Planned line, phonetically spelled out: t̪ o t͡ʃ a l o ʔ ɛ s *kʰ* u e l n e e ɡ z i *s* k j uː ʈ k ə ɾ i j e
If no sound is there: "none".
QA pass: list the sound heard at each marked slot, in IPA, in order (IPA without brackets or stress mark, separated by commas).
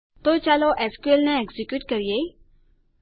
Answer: k, none